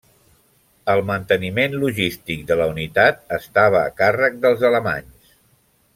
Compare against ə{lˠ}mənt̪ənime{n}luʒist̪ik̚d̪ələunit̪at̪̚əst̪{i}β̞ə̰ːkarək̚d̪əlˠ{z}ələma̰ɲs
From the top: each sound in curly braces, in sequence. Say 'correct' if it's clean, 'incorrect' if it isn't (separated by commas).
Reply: correct, correct, incorrect, correct